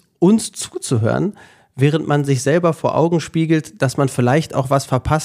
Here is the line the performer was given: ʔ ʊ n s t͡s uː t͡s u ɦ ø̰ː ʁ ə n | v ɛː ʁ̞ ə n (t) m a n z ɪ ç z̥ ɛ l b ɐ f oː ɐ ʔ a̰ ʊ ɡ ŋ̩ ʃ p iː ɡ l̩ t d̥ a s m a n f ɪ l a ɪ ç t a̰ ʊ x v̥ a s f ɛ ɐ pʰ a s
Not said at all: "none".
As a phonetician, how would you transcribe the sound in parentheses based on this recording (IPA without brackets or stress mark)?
t